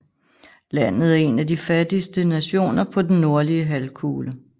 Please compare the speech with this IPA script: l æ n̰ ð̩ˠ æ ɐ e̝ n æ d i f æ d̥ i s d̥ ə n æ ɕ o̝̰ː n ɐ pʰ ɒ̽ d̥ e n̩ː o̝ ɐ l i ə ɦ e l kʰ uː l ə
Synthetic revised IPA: l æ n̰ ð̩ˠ æ ɐ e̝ n æ d i f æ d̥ i s d̥ ə n æ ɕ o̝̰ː n ɐ pʰ ɒ̽ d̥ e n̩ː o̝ ɐ l i ə ɦ æ l kʰ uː l ə